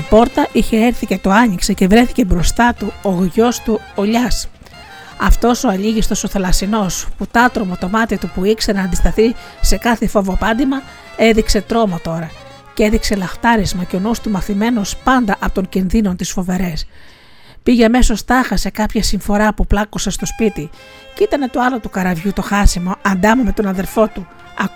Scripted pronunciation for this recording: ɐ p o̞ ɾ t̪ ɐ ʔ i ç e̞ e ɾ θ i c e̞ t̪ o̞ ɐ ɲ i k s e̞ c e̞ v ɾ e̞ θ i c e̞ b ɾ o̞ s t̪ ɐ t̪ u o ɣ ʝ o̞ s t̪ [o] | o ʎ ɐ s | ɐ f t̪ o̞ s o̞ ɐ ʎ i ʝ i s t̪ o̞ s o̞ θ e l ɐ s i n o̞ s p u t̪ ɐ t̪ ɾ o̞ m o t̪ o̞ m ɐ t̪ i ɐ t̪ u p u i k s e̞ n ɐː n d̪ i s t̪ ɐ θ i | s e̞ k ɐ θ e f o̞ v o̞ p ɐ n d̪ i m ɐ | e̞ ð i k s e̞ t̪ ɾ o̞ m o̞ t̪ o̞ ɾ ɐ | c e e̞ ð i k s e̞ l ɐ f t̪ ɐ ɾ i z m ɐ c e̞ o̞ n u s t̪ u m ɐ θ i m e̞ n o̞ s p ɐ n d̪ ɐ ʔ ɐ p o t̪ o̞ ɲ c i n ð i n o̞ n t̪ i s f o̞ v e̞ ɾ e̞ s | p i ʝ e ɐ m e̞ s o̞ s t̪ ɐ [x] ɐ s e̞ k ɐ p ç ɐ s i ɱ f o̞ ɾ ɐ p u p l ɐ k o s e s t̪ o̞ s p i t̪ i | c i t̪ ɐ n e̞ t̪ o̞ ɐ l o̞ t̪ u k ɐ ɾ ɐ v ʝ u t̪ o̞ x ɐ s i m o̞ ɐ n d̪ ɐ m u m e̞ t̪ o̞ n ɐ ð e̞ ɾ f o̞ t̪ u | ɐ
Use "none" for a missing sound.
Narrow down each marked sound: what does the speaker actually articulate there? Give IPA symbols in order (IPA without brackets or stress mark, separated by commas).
u, x